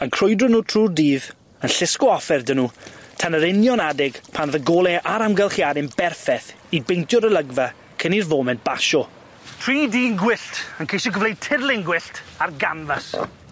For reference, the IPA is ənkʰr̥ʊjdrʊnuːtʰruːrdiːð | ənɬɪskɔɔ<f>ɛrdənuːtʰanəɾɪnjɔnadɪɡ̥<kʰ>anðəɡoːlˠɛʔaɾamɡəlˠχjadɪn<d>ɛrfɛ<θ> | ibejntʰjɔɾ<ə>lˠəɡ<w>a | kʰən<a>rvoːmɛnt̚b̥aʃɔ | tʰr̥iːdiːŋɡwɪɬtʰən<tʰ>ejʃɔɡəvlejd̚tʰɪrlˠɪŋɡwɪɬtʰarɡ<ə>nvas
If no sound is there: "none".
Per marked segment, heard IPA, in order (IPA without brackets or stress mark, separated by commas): f, pʰ, b, θ, ə, v, i, kʰ, a